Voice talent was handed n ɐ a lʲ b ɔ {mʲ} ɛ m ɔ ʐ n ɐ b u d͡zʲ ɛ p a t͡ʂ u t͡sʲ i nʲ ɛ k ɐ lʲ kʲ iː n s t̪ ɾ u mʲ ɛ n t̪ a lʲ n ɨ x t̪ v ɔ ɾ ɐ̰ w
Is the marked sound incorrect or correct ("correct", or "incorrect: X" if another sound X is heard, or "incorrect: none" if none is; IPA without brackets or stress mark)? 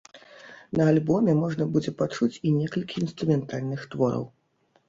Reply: correct